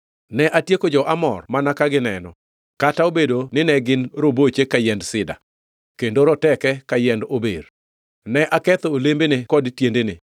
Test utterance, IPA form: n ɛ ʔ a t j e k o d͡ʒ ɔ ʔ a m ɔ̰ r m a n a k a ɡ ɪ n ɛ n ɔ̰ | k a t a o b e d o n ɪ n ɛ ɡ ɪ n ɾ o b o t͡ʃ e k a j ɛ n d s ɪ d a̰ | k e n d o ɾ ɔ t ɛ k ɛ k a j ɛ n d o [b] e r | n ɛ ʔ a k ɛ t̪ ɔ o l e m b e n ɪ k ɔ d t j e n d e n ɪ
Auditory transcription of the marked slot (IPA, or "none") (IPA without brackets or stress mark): b